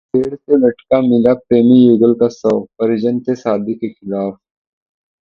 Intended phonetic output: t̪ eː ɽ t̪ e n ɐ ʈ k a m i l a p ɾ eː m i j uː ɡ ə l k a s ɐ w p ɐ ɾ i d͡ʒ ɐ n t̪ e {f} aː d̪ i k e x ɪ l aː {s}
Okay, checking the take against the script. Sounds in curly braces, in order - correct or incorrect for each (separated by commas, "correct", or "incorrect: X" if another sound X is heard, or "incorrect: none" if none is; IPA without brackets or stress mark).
incorrect: s, incorrect: f